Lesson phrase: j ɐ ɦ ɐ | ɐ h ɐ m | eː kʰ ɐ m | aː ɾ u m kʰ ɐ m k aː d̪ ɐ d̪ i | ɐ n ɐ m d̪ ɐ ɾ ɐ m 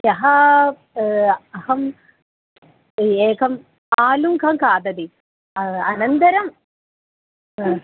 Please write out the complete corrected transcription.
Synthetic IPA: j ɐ ɦ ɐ | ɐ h ɐ m | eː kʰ ɐ m | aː l u m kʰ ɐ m k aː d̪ ɐ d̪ i | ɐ n ɐ n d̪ ɐ ɾ ɐ m